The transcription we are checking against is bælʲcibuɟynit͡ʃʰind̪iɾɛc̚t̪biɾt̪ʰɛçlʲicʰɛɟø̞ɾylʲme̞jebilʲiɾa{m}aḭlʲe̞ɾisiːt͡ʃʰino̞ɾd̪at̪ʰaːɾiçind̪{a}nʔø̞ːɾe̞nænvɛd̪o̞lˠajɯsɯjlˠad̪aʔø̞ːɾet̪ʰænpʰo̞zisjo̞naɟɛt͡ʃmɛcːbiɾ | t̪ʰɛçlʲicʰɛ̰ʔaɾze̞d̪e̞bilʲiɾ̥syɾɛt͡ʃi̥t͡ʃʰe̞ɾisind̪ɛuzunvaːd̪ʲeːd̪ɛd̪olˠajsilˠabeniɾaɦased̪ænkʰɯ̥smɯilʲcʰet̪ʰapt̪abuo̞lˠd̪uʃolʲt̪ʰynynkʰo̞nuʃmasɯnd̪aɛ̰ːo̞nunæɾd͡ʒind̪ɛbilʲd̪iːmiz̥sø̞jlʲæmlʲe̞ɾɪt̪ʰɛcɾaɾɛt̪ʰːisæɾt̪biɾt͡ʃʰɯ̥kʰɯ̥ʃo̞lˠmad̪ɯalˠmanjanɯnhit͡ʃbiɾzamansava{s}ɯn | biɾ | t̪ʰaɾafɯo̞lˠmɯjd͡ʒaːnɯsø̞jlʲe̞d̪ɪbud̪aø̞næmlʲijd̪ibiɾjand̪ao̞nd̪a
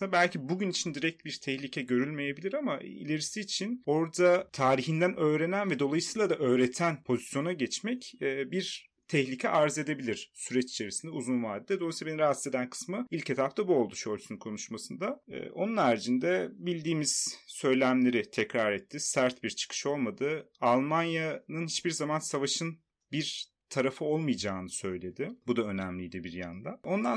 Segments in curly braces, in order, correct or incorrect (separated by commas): correct, incorrect, incorrect